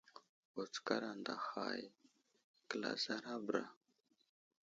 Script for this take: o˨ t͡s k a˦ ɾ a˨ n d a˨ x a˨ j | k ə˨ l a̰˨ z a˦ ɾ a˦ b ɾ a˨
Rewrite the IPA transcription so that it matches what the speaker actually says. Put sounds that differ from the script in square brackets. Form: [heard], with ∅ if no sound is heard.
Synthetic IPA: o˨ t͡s k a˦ ɾ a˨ n d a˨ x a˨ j | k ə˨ l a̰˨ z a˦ ɾ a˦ b ɾ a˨

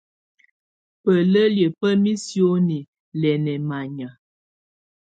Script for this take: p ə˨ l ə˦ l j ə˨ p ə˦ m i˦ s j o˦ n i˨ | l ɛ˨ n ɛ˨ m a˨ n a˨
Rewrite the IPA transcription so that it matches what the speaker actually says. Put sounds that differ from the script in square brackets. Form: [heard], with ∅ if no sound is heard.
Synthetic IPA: p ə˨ l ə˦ l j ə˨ p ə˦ m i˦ s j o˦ n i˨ | l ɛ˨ n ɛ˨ m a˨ [ɲ] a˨

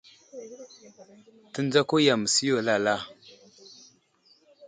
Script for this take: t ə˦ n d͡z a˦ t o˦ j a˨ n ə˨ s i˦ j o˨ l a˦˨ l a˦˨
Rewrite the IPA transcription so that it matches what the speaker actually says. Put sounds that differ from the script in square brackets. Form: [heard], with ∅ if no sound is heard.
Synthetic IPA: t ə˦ n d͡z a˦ [k] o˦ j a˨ [m] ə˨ s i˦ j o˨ l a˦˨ l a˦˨

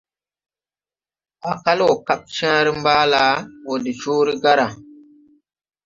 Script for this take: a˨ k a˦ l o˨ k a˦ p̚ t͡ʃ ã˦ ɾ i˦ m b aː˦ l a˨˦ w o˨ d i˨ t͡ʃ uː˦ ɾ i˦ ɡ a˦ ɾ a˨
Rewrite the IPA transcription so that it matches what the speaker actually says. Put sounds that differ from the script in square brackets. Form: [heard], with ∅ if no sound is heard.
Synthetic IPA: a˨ k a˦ l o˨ k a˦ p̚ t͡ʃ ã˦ ɾ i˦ m b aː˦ l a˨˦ w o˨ d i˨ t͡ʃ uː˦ ɾ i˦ ɡ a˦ ɾ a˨

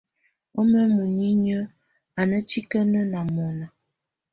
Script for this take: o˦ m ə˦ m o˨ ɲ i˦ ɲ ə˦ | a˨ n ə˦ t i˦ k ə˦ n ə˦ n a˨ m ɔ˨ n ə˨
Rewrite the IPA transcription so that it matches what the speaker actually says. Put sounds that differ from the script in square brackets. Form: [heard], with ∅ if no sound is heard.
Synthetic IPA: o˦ m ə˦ m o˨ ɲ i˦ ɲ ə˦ | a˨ n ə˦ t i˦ k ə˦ n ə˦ n a˨ m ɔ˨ n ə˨

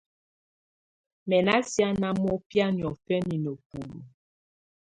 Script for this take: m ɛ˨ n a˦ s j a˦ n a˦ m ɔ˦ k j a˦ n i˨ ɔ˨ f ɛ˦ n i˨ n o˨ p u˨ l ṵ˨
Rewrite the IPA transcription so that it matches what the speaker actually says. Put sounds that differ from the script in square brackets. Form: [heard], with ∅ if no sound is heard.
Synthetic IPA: m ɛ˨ n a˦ s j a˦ n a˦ m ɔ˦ [p] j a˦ n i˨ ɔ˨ f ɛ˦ n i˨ n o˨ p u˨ l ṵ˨

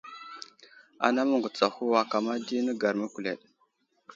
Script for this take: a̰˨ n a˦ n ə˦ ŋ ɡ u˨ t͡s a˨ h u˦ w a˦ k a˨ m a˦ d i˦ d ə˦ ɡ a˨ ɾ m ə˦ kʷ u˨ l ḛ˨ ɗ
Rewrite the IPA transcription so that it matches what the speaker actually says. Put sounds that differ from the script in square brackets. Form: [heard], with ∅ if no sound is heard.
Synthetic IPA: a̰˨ n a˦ [m] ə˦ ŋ ɡ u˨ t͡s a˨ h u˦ w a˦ k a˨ m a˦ d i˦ [n] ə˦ ɡ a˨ ɾ m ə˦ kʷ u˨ l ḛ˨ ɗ

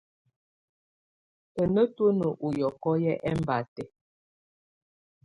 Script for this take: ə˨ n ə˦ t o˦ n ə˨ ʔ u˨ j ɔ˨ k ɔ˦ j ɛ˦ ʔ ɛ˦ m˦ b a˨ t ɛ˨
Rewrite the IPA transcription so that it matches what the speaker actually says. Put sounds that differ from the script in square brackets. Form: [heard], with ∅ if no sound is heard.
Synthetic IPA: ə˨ n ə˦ t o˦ n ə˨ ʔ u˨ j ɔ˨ k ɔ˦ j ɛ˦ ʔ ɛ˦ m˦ b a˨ t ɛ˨

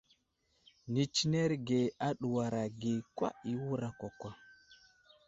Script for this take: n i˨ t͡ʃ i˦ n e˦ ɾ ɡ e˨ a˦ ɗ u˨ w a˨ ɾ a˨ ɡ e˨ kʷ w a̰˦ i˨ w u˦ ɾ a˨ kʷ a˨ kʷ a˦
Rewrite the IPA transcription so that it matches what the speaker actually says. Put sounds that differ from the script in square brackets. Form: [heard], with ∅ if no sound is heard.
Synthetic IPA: n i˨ t͡ʃ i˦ n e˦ ɾ ɡ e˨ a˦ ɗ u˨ w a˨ ɾ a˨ ɡ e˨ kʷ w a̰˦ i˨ w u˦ ɾ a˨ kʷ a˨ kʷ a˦

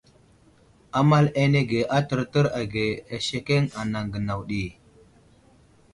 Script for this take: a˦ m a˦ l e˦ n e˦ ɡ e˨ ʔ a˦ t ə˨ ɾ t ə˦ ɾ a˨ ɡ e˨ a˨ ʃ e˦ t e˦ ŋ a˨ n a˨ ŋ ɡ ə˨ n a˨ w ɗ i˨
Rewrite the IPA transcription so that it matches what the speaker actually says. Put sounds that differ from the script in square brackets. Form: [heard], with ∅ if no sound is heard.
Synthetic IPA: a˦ m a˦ l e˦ n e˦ ɡ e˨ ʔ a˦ t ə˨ ɾ t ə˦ ɾ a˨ ɡ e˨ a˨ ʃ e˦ [k] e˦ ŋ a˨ n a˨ ŋ ɡ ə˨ n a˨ w ɗ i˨

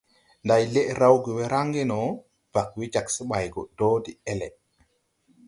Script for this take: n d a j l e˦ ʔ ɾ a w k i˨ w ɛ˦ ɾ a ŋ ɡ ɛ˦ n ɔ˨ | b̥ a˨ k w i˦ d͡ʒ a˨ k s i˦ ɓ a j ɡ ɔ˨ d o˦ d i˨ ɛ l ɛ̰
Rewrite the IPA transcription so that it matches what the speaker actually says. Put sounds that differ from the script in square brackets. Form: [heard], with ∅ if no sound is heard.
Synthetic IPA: n d a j l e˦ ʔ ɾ a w [ɡ] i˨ w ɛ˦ ɾ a ŋ ɡ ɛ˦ n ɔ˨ | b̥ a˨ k w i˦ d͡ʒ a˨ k s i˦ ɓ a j ɡ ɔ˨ d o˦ d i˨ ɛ l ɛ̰

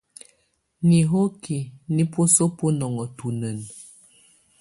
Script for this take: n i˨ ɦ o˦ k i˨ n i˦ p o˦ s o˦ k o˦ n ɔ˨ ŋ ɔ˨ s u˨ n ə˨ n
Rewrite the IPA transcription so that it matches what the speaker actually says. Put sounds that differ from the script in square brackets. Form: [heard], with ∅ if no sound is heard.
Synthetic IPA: n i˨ ɦ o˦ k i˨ n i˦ p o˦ s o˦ [p] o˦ n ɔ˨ ŋ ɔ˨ [t] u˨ n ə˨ n

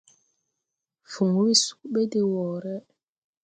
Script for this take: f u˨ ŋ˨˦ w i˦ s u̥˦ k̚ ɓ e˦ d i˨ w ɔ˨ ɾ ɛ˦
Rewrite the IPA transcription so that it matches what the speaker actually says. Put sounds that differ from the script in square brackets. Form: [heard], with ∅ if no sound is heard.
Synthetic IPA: f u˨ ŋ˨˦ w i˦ s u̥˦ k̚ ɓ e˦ d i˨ w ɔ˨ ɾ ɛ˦

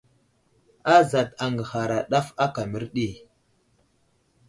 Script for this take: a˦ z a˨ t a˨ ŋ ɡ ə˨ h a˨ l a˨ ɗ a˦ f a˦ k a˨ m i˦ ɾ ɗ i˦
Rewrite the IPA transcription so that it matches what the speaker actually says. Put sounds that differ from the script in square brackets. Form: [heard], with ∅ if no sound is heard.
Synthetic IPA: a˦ z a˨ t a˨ ŋ ɡ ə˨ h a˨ [ɾ] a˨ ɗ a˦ f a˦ k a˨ m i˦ ɾ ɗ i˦

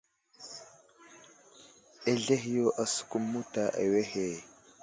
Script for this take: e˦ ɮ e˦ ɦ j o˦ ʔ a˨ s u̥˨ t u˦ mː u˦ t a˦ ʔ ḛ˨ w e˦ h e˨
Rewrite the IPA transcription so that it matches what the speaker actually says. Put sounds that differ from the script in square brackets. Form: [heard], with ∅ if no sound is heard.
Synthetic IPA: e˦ ɮ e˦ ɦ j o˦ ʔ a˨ s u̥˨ [k] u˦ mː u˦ t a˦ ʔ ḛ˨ w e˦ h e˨

